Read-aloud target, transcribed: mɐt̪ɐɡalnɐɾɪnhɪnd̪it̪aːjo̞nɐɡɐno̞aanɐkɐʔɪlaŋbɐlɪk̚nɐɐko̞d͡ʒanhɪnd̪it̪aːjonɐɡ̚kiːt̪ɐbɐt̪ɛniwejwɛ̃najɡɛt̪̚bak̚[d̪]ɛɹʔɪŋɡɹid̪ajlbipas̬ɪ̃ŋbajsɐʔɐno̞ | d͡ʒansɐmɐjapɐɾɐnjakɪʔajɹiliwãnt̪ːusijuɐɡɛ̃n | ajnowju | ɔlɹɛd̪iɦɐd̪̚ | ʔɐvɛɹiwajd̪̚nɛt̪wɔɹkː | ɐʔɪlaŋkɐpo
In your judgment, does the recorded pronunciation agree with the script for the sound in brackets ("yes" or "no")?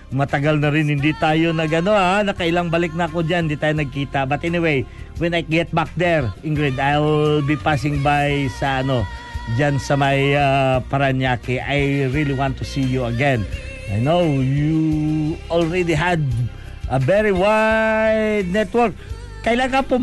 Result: yes